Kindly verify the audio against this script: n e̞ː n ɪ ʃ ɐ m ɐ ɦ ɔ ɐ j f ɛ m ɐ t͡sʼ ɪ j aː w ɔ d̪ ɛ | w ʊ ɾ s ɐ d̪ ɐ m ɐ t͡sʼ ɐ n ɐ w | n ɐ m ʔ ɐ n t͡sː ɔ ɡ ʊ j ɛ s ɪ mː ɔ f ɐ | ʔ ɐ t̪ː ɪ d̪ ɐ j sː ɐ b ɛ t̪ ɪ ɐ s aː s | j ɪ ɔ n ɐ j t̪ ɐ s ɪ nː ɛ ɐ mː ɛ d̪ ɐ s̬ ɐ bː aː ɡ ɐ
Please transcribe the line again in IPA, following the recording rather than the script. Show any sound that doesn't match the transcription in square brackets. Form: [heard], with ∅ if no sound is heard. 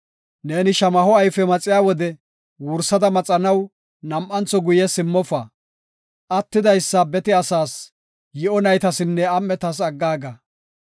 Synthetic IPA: n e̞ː n ɪ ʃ ɐ m ɐ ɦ ɔ ɐ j f ɛ m ɐ t͡sʼ ɪ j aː w ɔ d̪ ɛ | w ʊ ɾ s ɐ d̪ ɐ m ɐ t͡sʼ ɐ n ɐ w | n ɐ m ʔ ɐ n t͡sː ɔ ɡ ʊ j ɛ s ɪ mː ɔ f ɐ | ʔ ɐ t̪ː ɪ d̪ ɐ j sː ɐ b ɛ t̪ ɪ ɐ s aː s | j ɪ ɔ n ɐ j t̪ ɐ s ɪ nː ɛ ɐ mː ɛ [t̪] ɐ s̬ ɐ [ɡː] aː ɡ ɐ